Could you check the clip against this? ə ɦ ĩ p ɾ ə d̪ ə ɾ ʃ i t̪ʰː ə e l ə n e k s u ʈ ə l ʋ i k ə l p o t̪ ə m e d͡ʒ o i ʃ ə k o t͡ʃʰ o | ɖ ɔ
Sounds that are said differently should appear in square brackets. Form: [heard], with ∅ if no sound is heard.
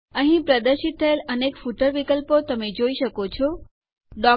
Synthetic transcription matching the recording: ə ɦ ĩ p ɾ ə d̪ ə ɾ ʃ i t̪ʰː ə e l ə n e k [f] u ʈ ə [ɾ] ʋ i k ə l p o t̪ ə m e d͡ʒ o i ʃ ə k o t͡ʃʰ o | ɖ ɔ